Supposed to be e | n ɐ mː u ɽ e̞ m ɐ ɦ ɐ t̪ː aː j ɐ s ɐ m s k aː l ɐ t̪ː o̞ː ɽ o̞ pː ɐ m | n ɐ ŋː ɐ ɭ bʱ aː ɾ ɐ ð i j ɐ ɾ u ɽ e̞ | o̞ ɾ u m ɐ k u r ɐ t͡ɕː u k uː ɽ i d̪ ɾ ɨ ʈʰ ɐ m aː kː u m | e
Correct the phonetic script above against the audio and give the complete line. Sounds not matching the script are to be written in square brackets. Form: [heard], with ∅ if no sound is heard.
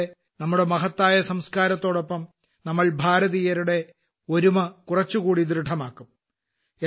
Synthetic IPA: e | n ɐ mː u ɽ e̞ m ɐ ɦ ɐ t̪ː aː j ɐ s ɐ m s k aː [ɾ] ɐ t̪ː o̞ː ɽ o̞ pː ɐ m | n ɐ [mː] ɐ ɭ bʱ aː ɾ ɐ ð i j ɐ ɾ u ɽ e̞ | o̞ ɾ u m ɐ k u r ɐ t͡ɕː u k uː ɽ i d̪ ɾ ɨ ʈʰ ɐ m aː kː u m | e